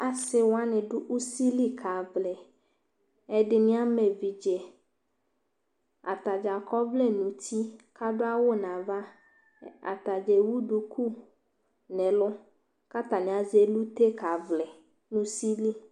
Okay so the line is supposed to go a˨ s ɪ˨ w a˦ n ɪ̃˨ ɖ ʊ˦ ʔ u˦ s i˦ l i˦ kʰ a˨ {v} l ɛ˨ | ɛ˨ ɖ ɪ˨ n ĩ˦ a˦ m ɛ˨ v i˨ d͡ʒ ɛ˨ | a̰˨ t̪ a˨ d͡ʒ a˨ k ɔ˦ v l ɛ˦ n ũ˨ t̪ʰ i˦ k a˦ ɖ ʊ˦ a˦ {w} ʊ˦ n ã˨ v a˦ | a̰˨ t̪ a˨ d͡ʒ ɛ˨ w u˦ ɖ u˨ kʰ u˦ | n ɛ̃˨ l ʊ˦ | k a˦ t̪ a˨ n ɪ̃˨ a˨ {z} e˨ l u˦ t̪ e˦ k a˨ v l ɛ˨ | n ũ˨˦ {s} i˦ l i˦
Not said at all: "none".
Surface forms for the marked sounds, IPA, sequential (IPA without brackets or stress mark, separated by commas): v, w, z, s